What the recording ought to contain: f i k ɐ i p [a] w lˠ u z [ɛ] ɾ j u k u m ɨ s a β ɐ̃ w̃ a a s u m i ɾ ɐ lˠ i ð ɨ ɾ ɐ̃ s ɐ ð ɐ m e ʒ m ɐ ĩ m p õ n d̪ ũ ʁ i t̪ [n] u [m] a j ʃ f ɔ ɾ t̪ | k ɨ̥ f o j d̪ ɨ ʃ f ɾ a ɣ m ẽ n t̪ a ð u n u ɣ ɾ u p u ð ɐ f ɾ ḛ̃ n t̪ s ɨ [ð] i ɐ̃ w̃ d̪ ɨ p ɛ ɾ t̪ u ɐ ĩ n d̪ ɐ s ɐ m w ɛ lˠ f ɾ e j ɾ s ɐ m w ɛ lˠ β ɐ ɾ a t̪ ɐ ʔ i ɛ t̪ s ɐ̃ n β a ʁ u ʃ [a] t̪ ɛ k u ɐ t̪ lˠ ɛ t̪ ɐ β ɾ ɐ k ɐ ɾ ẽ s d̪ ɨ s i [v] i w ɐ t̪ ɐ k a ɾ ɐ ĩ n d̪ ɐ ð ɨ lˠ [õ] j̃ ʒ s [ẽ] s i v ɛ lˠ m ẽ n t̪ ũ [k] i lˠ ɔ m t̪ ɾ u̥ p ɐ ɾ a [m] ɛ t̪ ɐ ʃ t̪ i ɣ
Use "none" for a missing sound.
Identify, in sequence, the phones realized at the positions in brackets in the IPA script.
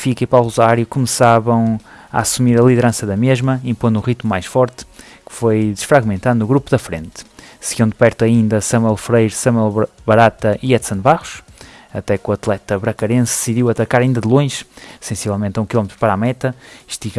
a, a, m, m, ɣ, ɐ, ð, õ, ẽ, k, m

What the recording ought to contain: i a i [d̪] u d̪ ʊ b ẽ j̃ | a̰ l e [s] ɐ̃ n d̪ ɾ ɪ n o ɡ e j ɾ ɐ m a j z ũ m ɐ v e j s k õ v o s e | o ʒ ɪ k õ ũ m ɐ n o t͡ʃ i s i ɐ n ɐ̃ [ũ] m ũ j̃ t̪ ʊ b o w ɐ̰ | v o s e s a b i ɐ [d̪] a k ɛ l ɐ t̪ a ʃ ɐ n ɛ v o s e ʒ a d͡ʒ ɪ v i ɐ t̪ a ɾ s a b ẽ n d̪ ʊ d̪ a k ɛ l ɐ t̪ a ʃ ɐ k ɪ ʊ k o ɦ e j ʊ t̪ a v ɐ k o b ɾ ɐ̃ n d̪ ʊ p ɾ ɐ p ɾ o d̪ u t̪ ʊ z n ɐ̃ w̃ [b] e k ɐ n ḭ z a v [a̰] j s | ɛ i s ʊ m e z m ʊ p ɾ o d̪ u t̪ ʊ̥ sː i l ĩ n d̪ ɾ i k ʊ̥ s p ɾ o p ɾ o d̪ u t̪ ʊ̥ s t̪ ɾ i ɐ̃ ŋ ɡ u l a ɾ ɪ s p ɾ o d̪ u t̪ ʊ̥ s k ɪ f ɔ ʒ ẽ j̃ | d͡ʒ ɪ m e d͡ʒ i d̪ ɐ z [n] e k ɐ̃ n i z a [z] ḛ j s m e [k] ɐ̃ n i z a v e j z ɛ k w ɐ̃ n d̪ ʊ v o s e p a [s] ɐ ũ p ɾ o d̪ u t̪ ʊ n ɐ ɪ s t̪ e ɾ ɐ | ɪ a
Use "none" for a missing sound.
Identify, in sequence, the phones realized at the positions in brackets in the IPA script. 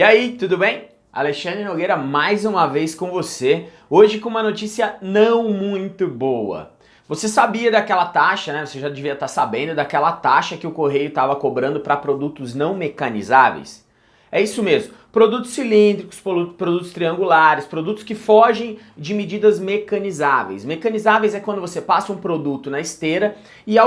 t̪, ʃ, w̃, d̪, m, ḛ, m, v, k, s

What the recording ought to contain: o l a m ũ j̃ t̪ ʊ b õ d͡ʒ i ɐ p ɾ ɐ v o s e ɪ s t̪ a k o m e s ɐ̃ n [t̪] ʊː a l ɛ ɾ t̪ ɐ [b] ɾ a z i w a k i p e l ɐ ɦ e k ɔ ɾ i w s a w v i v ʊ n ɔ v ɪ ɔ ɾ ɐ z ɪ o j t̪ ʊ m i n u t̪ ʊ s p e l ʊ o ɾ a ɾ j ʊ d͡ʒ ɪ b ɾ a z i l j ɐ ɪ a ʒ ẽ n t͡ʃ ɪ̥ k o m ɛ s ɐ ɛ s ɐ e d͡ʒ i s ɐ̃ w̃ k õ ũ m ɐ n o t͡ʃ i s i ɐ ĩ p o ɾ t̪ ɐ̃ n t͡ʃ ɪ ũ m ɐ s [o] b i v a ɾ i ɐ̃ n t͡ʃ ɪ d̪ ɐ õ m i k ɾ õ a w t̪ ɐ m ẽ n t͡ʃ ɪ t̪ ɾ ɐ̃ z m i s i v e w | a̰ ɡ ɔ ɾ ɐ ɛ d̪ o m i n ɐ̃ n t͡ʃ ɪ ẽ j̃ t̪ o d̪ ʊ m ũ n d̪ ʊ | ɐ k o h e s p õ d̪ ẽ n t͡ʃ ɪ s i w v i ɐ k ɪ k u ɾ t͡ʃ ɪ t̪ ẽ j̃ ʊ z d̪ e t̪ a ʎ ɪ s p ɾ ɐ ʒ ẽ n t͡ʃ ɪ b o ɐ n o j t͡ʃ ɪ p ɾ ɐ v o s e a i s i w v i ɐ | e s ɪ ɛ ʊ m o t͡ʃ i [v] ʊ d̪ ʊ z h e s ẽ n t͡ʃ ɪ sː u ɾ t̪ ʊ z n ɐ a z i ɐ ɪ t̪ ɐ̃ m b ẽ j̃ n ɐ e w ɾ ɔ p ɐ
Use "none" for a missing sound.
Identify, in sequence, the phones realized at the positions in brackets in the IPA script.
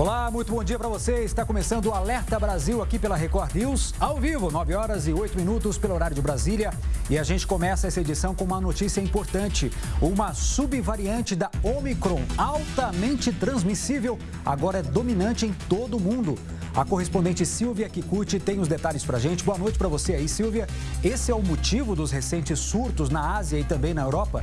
d̪, b, u, v

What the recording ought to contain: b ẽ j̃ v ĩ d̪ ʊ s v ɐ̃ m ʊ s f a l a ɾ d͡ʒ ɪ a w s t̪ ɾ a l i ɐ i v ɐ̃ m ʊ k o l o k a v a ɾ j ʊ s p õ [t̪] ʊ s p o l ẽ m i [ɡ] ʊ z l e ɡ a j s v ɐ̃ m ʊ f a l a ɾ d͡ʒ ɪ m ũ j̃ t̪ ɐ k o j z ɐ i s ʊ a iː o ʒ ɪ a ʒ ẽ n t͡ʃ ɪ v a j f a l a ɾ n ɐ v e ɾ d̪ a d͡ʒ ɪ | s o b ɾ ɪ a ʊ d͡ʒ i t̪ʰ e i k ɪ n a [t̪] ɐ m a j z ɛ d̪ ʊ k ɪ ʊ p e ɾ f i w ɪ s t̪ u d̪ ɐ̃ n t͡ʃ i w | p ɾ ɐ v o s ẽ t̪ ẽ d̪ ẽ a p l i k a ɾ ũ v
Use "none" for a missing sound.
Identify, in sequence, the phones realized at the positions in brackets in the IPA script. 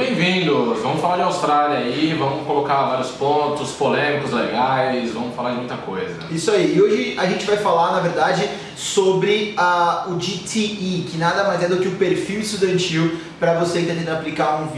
t̪, k, d̪

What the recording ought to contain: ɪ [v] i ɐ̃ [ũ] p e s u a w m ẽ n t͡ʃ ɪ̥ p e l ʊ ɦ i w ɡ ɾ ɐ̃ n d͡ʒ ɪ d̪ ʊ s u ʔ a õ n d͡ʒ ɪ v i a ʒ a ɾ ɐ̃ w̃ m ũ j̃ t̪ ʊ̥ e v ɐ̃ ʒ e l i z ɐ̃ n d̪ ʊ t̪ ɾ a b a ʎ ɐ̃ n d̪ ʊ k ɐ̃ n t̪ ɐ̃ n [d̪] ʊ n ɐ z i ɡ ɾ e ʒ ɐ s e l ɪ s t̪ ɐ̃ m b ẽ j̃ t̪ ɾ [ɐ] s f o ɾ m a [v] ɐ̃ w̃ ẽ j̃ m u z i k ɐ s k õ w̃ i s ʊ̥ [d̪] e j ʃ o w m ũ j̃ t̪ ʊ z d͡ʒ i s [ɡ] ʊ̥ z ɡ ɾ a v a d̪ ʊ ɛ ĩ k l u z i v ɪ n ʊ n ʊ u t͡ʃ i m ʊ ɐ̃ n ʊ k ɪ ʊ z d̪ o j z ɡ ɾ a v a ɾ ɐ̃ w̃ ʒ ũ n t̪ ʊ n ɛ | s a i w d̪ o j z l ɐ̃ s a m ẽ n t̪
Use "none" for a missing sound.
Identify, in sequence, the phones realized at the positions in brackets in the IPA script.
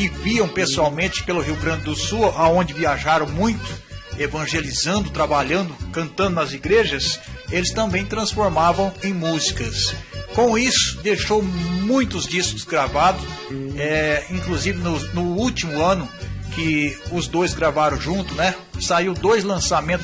v, w̃, d̪, ɐ̃, v, d̪, k

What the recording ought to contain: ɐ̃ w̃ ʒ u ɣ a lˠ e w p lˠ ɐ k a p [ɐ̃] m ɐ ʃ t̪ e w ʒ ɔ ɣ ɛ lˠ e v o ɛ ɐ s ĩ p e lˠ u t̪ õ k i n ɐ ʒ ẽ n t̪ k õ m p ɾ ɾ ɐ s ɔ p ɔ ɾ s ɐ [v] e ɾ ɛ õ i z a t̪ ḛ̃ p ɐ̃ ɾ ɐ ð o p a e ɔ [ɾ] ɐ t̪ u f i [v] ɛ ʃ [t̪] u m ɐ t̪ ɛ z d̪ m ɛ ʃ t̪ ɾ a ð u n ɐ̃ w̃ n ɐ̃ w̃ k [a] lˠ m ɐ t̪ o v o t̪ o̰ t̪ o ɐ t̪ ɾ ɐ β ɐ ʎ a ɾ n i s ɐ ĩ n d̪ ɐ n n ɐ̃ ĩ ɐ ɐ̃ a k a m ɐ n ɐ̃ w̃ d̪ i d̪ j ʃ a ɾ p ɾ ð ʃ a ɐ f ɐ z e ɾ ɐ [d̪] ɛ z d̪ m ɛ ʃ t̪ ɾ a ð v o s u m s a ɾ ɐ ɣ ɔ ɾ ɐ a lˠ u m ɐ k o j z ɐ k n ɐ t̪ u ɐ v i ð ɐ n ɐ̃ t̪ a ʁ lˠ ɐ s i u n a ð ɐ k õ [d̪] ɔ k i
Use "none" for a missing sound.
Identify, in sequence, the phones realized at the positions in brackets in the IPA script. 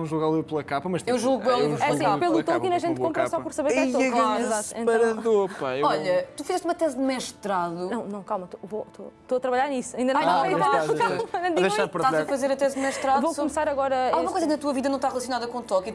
ɐ, β, ʎ, z, t̪, a, t̪, t̪

